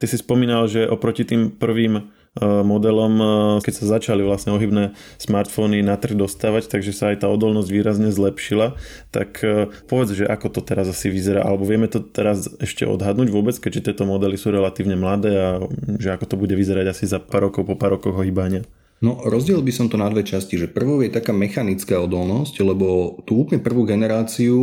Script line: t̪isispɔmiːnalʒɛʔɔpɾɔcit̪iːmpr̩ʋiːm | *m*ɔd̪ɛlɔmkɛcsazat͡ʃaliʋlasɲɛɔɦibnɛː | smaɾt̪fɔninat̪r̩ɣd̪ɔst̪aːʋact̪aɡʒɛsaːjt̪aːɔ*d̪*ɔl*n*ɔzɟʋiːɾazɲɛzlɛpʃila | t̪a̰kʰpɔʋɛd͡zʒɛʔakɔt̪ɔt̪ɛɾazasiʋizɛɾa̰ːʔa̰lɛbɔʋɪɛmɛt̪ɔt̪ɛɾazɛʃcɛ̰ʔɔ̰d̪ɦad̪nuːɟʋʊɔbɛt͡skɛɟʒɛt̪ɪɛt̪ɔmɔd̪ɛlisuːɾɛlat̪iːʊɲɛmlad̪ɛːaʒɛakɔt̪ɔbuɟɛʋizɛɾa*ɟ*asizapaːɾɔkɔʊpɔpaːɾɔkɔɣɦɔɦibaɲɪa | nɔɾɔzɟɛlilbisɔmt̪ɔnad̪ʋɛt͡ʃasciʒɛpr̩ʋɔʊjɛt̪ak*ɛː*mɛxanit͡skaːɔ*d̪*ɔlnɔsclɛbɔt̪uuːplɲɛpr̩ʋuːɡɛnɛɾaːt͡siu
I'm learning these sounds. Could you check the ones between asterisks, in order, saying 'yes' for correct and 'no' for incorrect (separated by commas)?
yes, yes, yes, yes, no, yes